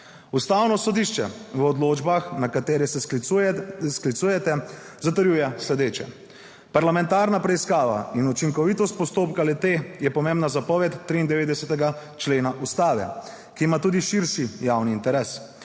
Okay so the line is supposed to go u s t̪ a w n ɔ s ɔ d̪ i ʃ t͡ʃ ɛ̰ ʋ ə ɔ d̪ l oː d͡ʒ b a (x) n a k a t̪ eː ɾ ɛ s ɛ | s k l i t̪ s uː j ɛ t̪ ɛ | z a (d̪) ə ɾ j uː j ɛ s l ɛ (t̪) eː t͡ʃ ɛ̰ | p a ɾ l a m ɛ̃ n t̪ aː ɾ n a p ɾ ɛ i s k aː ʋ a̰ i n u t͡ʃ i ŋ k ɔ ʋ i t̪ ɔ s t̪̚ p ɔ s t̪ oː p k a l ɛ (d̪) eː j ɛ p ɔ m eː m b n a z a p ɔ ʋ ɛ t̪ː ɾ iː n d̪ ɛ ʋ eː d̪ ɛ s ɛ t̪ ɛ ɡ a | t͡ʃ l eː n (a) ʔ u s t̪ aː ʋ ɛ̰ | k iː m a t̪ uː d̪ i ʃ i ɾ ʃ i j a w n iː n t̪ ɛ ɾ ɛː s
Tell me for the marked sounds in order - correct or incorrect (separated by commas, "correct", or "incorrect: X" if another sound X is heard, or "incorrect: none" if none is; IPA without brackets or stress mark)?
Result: correct, incorrect: t̪, incorrect: d̪, incorrect: t̪, correct